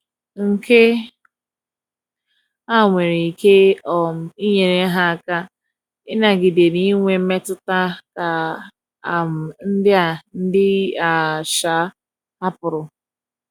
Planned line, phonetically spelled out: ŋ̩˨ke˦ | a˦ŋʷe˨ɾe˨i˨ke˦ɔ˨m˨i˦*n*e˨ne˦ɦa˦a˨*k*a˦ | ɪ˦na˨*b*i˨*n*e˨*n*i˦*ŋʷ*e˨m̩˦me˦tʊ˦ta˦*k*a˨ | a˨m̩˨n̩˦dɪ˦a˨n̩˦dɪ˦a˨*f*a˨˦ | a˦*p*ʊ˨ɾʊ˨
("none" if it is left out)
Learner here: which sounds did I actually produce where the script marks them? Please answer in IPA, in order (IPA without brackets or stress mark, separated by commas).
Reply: ɲ, k, ɡ, d, n, ŋʷ, k, ʃ, p